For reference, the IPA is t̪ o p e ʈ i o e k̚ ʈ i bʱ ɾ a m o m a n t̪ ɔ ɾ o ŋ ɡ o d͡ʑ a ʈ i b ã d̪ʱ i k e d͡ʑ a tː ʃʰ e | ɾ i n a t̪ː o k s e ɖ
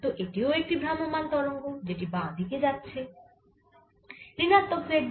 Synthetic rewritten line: t̪ o ʔ e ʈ i o e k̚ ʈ i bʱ ɾ a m o m a n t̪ ɔ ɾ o ŋ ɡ o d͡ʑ e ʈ i b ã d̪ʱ i k e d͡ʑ a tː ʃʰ e | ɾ i n a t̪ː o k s e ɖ